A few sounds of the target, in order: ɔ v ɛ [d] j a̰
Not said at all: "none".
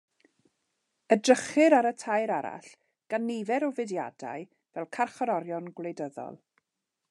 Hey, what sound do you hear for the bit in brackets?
d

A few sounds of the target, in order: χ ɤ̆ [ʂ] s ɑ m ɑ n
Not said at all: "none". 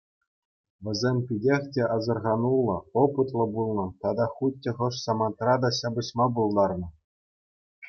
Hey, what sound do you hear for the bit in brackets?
ʂ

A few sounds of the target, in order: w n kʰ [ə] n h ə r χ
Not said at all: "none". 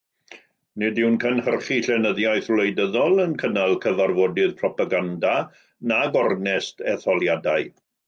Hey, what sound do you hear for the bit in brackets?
ə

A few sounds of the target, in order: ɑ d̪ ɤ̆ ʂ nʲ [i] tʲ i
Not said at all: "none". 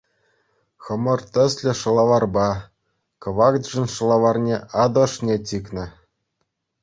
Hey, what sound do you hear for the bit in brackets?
e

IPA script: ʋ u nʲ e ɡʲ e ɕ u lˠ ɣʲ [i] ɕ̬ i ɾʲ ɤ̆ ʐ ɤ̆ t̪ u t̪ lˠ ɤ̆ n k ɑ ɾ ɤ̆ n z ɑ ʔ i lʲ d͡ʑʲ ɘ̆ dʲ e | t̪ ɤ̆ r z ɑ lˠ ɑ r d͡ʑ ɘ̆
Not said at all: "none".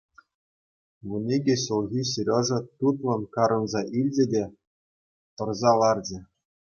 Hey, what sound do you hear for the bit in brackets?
i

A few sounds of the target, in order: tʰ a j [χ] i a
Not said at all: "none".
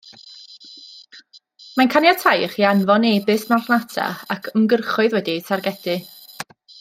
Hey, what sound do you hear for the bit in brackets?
χ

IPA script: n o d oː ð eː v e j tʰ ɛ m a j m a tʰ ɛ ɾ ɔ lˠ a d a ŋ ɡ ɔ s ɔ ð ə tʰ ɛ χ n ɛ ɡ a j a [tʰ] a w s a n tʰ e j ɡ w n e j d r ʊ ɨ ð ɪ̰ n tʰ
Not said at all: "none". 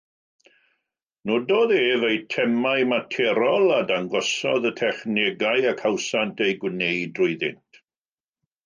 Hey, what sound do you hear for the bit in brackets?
kʰ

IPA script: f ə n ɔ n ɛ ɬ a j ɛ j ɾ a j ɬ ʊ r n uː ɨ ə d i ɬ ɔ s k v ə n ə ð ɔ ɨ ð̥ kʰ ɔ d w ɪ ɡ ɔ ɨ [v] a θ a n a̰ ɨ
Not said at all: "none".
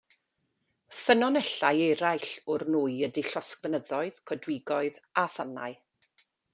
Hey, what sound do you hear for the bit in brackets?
ð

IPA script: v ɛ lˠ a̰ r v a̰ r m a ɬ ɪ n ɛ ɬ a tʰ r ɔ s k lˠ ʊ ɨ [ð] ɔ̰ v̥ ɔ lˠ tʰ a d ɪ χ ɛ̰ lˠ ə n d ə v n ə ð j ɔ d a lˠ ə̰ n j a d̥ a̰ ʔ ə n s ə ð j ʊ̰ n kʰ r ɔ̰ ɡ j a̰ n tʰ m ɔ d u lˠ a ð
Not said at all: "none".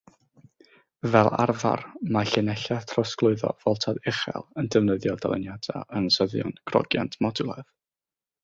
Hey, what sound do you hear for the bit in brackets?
ð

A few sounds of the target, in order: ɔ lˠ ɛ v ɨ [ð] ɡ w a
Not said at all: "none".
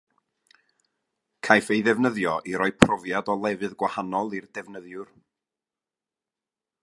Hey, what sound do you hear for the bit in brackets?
ð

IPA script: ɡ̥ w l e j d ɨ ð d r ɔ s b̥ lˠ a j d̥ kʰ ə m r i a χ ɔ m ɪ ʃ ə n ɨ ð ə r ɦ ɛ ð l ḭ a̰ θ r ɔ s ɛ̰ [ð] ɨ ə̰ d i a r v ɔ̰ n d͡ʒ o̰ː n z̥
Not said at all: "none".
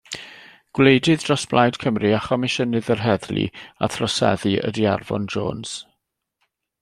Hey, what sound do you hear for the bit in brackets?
ð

